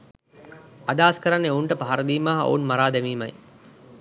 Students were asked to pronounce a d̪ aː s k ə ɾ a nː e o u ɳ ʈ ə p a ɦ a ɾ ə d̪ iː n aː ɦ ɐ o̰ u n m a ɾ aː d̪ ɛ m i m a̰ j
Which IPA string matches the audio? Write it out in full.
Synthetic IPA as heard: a d̪ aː s k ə ɾ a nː e o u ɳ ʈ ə p a ɦ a ɾ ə d̪ iː m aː ɦ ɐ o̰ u n m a ɾ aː d̪ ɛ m iː m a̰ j